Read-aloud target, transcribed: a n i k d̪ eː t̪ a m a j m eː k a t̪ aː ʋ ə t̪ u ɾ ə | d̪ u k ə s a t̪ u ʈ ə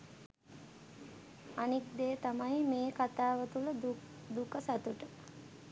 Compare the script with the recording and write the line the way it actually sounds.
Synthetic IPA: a n i k d̪ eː t̪ a m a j m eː k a t̪ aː ʋ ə t̪ u l ə | d̪ u k ə s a t̪ u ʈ ə